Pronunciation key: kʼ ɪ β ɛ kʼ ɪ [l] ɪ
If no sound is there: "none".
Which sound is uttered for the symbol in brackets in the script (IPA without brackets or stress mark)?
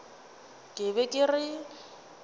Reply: r